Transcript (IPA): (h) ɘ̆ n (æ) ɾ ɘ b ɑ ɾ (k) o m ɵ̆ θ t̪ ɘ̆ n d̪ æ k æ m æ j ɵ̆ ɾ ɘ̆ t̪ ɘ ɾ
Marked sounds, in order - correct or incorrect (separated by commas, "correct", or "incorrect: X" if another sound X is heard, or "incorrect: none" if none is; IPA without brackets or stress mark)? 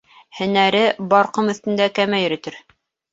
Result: correct, correct, incorrect: q